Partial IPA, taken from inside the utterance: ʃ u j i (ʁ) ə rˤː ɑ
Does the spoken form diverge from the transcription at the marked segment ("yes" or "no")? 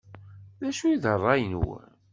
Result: yes